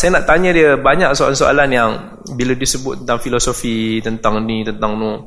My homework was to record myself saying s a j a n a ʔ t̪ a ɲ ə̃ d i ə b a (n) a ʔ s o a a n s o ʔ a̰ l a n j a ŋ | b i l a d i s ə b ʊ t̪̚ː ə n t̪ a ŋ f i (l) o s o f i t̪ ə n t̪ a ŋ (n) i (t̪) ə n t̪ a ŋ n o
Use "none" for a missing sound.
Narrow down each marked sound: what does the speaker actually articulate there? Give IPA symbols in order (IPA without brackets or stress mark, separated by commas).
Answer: ɲ, l, n, t̪